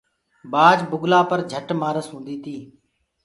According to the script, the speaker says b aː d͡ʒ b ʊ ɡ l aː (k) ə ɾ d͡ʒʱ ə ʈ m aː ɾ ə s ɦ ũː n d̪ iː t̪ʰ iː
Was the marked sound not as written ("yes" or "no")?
yes